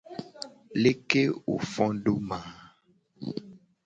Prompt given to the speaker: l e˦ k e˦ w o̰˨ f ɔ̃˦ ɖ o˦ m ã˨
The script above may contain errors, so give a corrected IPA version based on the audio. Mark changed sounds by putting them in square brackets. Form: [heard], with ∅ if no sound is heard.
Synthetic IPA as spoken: l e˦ k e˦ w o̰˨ f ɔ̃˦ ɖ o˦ m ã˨

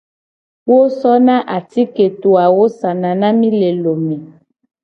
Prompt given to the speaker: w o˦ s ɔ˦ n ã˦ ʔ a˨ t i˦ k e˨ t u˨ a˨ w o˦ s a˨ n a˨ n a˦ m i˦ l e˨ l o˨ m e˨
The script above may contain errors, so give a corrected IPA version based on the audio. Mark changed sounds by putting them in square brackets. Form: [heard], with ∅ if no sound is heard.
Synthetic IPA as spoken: w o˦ s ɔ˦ n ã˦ ʔ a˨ t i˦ k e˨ t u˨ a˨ w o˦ s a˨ n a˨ n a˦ m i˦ l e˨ l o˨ m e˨

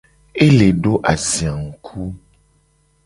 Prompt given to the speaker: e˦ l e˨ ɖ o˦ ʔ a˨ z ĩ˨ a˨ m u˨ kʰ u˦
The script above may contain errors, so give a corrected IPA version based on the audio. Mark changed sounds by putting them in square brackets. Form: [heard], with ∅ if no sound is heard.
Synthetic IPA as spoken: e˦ l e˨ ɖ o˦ ʔ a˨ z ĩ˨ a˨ [ŋ] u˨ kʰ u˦

